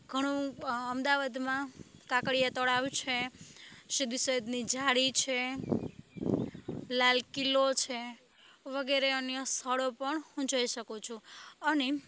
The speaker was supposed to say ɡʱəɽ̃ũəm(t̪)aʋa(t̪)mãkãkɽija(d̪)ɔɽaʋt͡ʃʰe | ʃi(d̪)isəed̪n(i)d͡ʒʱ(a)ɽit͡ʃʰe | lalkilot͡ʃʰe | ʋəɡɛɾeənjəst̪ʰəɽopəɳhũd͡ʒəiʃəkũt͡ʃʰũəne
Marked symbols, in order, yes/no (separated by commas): no, no, no, yes, yes, yes